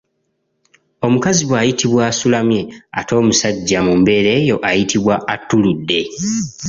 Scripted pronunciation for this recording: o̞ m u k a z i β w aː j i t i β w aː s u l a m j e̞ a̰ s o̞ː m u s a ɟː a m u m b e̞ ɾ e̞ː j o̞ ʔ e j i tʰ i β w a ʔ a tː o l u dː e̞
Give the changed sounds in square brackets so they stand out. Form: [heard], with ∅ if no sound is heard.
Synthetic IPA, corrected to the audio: o̞ m u k a z i β w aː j i t i β w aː s u l a m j e̞ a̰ [t] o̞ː m u s a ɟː a m u m b e̞ ɾ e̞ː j o̞ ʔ [a] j i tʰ i β w a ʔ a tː [u] l u dː e̞